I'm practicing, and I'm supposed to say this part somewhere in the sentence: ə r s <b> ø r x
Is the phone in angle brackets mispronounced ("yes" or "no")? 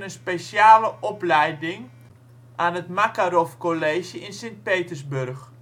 no